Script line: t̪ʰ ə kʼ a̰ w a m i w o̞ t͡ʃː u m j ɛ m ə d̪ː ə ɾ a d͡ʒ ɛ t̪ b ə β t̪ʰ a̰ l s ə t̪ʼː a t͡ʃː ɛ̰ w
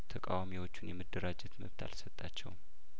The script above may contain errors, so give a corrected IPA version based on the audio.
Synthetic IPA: t̪ʰ ə kʼ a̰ w a m i w o̞ t͡ʃː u n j ɛ m ə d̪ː ə ɾ a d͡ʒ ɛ t̪ m ə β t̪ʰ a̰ l s ə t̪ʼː a t͡ʃː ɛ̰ w